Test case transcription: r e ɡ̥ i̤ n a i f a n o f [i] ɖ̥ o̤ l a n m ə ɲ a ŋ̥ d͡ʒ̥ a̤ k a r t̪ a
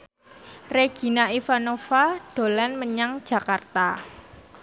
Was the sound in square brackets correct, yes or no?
no